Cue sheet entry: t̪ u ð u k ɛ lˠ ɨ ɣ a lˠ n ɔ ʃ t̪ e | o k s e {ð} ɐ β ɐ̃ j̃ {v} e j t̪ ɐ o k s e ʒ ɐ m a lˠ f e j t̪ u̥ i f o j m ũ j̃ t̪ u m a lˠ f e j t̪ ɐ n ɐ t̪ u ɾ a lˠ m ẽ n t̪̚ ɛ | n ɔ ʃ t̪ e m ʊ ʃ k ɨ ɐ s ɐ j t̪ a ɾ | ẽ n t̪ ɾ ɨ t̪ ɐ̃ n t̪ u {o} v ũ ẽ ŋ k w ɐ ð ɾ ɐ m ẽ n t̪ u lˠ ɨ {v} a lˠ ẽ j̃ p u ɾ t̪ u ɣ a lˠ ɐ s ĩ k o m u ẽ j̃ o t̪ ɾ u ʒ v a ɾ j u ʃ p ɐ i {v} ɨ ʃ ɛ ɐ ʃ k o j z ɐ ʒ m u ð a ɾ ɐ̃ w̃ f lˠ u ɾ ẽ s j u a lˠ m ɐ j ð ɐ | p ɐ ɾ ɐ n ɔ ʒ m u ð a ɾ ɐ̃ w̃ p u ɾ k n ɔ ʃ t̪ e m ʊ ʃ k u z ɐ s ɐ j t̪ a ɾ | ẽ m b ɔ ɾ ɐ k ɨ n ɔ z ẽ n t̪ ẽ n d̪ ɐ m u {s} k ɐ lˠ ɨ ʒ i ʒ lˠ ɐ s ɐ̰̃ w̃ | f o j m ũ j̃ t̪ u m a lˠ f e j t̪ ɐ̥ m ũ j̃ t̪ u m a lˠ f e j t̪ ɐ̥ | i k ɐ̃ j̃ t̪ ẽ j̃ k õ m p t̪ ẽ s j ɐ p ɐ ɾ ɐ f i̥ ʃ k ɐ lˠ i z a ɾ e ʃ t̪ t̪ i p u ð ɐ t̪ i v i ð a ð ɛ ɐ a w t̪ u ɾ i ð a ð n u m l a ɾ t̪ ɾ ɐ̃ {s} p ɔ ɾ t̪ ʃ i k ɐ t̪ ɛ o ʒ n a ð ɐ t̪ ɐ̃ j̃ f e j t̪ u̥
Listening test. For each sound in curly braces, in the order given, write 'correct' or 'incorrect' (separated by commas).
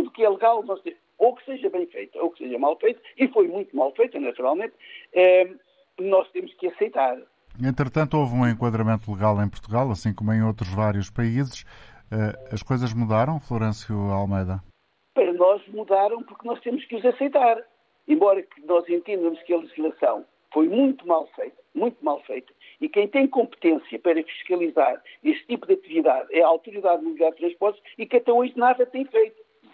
incorrect, incorrect, correct, incorrect, incorrect, incorrect, incorrect